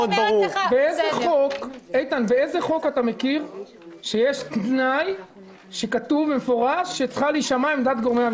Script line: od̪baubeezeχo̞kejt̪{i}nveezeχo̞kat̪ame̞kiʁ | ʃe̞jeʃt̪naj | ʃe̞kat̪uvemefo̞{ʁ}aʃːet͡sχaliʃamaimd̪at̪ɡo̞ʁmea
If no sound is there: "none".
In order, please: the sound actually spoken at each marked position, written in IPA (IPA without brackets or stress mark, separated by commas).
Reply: a, ʁ